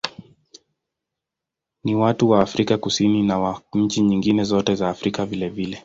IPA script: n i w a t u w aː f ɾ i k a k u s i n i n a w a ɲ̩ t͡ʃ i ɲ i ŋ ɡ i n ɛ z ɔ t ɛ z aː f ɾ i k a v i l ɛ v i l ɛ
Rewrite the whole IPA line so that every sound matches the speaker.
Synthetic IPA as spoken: n i w a t u w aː f ɾ i k a k u s i n i n a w a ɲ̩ t͡ʃ i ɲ i ŋ ɡ i n ɛ z ɔ t ɛ z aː f ɾ i k a v i l ɛ v i l ɛ